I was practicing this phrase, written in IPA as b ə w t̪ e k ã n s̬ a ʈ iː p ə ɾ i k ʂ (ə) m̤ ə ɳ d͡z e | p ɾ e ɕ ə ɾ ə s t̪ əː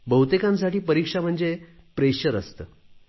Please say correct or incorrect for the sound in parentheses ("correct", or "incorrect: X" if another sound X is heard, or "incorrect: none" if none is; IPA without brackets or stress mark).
incorrect: a